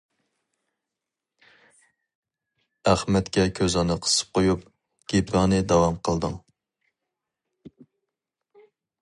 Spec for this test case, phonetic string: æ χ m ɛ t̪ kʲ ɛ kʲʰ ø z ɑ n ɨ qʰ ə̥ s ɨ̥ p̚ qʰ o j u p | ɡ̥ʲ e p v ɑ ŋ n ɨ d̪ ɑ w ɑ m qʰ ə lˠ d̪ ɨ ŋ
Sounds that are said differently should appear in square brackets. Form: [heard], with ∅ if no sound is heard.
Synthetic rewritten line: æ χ m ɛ t̪ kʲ ɛ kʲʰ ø z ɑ n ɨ qʰ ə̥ s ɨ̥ p̚ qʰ o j u p | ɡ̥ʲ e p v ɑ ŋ n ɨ d̪ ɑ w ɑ m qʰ ə lˠ d̪ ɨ ŋ